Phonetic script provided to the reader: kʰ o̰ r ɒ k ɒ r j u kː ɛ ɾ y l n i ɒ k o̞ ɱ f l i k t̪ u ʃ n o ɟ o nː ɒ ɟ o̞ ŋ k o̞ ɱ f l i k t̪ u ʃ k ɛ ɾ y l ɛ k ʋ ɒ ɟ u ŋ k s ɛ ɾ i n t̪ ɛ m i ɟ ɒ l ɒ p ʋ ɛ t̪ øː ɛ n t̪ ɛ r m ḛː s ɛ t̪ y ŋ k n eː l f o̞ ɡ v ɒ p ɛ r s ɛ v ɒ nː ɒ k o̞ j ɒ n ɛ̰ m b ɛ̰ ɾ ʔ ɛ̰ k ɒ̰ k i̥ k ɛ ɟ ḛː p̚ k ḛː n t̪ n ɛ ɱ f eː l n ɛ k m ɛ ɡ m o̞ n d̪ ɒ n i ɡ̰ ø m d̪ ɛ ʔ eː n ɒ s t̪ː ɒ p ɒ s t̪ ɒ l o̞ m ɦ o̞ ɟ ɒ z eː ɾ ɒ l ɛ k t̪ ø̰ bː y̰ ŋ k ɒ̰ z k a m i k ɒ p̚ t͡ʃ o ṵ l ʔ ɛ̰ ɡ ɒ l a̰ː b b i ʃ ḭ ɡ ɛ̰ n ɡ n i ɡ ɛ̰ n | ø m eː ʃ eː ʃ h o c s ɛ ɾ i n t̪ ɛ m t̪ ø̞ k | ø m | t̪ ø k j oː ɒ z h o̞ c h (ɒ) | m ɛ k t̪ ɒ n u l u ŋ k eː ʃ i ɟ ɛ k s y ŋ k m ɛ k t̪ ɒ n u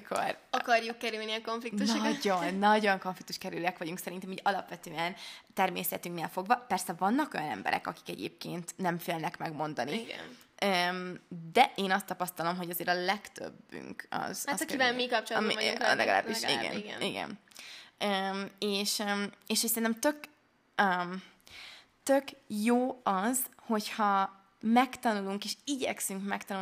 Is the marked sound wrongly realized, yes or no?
no